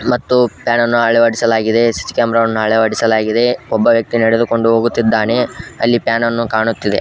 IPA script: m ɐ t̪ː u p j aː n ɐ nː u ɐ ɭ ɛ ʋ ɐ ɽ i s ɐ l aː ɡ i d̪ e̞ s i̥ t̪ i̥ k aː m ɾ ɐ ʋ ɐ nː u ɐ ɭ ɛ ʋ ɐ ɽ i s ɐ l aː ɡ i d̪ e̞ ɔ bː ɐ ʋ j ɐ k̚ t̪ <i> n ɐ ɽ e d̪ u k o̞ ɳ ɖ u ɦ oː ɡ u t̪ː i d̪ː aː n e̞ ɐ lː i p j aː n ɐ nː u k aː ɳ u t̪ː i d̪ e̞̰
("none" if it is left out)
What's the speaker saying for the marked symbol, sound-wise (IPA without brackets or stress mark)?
i